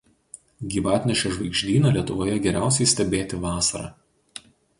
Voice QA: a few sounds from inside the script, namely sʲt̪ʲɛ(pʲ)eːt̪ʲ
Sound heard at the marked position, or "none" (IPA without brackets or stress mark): bʲ